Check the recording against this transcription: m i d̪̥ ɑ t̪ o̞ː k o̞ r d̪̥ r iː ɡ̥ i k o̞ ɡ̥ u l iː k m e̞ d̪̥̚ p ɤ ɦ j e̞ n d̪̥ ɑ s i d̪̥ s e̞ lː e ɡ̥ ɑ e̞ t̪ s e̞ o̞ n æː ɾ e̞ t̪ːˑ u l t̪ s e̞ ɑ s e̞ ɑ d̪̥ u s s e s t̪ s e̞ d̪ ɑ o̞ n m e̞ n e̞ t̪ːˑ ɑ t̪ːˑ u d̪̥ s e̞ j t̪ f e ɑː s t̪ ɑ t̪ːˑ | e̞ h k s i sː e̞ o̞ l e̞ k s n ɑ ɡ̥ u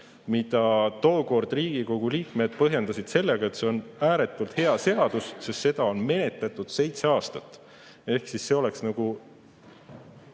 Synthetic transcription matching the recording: m i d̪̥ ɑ t̪ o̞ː k o̞ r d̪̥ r iː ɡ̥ i k o̞ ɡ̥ u l iː k m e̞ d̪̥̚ p ɤ ɦ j e̞ n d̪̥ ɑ s i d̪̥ s e̞ lː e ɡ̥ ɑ e̞ t̪ s e̞ o̞ n æː ɾ e̞ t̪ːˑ u l t̪ h e̞ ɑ s e̞ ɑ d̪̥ u s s e s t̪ s e̞ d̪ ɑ o̞ n m e̞ n e̞ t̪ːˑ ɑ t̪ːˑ u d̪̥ s e̞ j t̪ s e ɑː s t̪ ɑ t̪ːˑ | e̞ h k s i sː e̞ o̞ l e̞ k s n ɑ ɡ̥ u